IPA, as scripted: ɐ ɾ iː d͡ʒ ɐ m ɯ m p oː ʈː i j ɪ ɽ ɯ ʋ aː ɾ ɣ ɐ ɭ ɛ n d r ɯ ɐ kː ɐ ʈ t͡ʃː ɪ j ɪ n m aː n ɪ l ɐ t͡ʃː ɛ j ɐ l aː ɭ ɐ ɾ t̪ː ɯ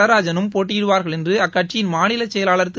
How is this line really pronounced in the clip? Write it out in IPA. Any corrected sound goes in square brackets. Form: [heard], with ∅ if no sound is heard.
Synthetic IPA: ɐ ɾ [aː] d͡ʒ ɐ [n] ɯ m p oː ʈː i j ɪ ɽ ɯ ʋ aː ɾ ɣ ɐ ɭ ɛ n d r ɯ ɐ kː ɐ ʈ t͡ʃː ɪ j ɪ n m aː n ɪ l ɐ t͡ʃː ɛ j ɐ l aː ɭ ɐ ɾ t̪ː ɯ